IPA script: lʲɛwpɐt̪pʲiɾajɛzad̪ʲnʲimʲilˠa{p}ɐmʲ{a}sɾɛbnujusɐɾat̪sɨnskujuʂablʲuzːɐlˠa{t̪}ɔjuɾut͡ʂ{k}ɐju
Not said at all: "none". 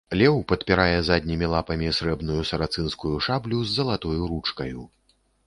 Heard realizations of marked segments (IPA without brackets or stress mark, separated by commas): p, i, t̪, k